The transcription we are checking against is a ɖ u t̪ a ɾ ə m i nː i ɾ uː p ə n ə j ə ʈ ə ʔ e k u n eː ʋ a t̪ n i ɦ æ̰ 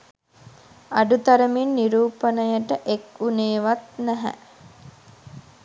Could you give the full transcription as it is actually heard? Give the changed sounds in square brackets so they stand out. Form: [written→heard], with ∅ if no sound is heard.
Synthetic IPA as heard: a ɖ u t̪ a ɾ ə m i nː i ɾ uː p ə n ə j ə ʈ ə ʔ e k u n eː ʋ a t̪ n [i→æ] ɦ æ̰